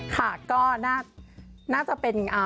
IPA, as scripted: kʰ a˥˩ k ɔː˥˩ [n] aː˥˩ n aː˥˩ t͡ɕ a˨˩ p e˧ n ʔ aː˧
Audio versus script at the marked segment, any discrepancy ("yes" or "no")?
no